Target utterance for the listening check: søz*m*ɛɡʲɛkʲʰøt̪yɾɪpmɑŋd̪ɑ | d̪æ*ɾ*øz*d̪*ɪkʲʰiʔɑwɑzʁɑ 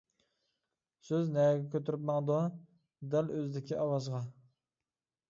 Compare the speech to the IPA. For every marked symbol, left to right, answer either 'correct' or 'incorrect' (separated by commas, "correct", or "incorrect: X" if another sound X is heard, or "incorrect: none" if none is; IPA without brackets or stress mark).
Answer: incorrect: n, incorrect: l, correct